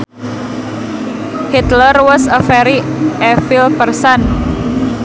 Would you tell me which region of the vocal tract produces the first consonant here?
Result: throat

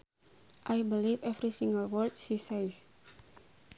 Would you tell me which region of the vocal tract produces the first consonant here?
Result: throat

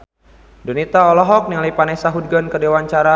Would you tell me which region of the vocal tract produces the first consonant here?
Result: tongue tip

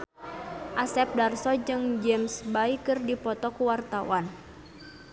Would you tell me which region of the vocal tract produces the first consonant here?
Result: throat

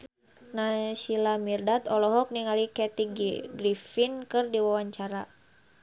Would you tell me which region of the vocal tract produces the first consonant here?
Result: tongue tip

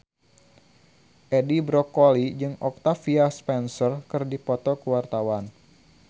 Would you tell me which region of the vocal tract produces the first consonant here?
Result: throat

